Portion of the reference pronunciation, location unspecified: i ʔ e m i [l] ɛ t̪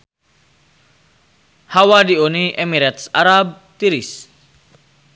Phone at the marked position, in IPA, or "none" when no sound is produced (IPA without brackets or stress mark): ɾ